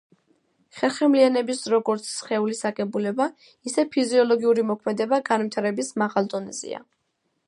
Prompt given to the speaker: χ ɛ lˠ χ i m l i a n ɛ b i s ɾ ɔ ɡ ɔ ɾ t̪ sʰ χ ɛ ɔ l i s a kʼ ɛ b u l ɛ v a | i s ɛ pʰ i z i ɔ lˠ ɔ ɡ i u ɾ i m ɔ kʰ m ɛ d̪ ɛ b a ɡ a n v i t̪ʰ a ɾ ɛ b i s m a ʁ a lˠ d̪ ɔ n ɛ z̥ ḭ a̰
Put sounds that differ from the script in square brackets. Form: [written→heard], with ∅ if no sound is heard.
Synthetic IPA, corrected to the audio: χ ɛ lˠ χ [i→ɛ] m l i a n ɛ b i s ɾ ɔ ɡ ɔ ɾ t̪ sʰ χ ɛ [ɔ→u] l i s a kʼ ɛ b u l ɛ [v→b] a | i s ɛ pʰ i z i ɔ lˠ ɔ ɡ i u ɾ i m ɔ kʰ m ɛ d̪ ɛ b a ɡ a n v i t̪ʰ a ɾ ɛ b i s m a ʁ a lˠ d̪ ɔ n ɛ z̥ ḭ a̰

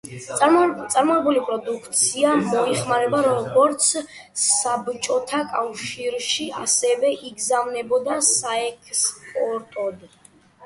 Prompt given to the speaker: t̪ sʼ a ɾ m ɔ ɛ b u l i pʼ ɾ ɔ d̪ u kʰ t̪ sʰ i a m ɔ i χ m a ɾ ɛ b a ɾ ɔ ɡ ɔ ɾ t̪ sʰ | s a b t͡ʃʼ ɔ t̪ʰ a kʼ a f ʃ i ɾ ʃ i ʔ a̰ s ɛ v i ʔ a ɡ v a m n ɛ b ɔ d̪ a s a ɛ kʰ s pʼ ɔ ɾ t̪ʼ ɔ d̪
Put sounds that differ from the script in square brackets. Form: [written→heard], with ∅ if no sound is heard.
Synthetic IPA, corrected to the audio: t̪ sʼ a ɾ m ɔ ɛ b u l i pʼ ɾ ɔ d̪ u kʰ t̪ sʰ i a m ɔ i χ m a ɾ ɛ b a ɾ ɔ ɡ ɔ ɾ t̪ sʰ | s a b t͡ʃʼ ɔ t̪ʰ a kʼ a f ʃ i ɾ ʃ i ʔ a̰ s ɛ v [i→ɛ] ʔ [a→i] ɡ [v→z] a m n ɛ b ɔ d̪ a s a ɛ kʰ s pʼ ɔ ɾ t̪ʼ ɔ d̪

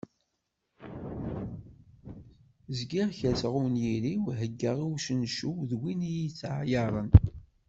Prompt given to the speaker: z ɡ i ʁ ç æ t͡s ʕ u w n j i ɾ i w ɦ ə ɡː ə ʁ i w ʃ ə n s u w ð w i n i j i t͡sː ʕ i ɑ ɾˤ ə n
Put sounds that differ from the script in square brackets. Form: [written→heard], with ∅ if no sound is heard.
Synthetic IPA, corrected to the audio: z ɡ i ʁ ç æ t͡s [ʕ→ʁ] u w n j i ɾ i w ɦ ə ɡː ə ʁ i w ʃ ə n [s→ʃ] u w ð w i n i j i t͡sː ʕ [i→j] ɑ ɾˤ ə n

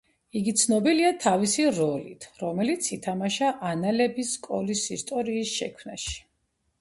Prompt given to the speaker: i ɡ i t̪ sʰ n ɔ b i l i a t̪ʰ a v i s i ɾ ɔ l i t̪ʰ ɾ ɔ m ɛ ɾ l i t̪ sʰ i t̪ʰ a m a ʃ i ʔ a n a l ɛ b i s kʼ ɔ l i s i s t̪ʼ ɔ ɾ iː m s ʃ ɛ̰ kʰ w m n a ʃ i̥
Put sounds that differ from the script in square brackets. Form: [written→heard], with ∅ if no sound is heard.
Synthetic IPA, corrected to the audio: i ɡ i t̪ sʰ n ɔ b i l i a t̪ʰ a v i s i ɾ ɔ l i t̪ʰ ɾ ɔ m ɛ [ɾ→∅] l i t̪ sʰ i t̪ʰ a m a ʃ [i→a] ʔ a n a l ɛ b i s kʼ ɔ l i s i s t̪ʼ ɔ ɾ iː [m→∅] s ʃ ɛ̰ kʰ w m n a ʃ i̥

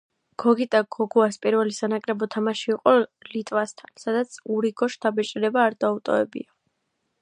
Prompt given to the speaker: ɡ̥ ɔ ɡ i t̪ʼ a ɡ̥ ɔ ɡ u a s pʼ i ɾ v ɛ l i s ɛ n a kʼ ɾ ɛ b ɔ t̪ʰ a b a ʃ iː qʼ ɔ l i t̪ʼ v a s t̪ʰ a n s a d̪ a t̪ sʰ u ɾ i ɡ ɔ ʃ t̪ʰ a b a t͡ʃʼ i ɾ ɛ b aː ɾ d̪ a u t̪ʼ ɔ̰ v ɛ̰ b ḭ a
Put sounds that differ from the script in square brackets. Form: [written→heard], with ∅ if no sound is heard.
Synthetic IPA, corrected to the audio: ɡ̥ ɔ ɡ i t̪ʼ a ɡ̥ ɔ ɡ u a s pʼ i ɾ v ɛ l i s [ɛ→a] n a kʼ ɾ ɛ b ɔ t̪ʰ a [b→m] a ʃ iː qʼ ɔ l i t̪ʼ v a s t̪ʰ a n s a d̪ a t̪ sʰ u ɾ i ɡ ɔ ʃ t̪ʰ a b [a→ɛ] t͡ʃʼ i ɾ ɛ b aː ɾ d̪ a u t̪ʼ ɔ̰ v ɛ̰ b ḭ a

